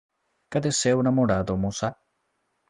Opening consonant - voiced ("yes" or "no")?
no